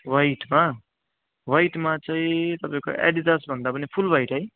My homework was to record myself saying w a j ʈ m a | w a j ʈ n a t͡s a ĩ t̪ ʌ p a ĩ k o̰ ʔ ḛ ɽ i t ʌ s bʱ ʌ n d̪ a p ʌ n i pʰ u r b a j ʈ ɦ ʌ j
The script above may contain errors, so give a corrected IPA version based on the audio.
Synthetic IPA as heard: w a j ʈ m a | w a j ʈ m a t͡s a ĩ t̪ ʌ p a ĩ k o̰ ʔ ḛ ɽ i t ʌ s bʱ ʌ n d̪ a p ʌ n i pʰ u l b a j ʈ ɦ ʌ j